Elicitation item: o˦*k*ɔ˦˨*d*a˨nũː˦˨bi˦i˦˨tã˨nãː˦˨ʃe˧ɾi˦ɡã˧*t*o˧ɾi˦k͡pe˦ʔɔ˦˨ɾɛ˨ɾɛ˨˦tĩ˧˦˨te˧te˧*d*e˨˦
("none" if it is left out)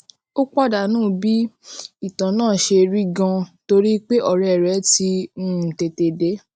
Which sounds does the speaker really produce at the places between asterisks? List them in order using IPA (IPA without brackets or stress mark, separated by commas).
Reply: k͡p, d, t, d